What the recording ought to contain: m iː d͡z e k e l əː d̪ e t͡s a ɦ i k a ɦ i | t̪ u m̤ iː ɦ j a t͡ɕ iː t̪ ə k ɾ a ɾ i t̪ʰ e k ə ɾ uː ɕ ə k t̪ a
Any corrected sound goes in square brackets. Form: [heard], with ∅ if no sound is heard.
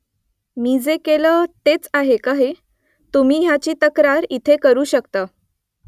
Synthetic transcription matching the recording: m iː d͡z e k e l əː [t̪] e t͡s a ɦ [e] k a ɦ [e] | t̪ u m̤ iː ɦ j a t͡ɕ iː t̪ ə k ɾ a ɾ i t̪ʰ e k ə ɾ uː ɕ ə k t̪ a